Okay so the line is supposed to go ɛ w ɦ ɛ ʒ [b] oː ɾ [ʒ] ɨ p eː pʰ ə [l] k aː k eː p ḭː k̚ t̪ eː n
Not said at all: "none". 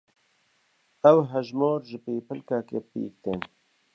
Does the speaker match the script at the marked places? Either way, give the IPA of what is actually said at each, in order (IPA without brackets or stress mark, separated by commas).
m, ʒ, l